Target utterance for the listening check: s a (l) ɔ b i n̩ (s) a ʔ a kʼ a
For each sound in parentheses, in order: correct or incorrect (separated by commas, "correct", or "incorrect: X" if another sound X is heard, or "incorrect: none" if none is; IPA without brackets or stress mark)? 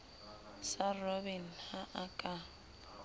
incorrect: r, incorrect: h